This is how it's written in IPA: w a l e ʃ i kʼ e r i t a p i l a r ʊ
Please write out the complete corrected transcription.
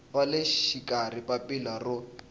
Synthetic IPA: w a l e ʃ i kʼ a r i p a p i l a r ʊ